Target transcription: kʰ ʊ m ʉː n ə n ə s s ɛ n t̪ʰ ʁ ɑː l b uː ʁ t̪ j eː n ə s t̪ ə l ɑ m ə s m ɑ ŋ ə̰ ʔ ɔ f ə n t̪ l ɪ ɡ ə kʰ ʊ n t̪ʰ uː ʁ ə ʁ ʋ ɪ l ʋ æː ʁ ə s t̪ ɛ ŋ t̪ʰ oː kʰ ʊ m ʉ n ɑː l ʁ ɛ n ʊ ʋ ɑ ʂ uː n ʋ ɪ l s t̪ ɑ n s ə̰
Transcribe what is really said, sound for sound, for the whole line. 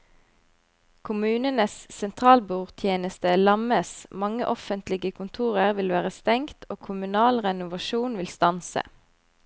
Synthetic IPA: kʰ ʊ m ʉː n ə n ə s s ɛ n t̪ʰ ʁ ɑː l b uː ʁ t̪ʰ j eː n ə s t̪ ə l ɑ m ə s m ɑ ŋ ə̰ ʔ ɔ f ə n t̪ l ɪ ɡ ə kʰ ʊ n t̪ʰ uː ʁ ə ʁ ʋ ɪ l ʋ æː ʁ ə s t̪ ɛ ŋ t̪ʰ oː kʰ ʊ m ʉ n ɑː l ʁ ɛ n ʊ ʋ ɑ ʃ uː n ʋ ɪ l s t̪ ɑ n s ə̰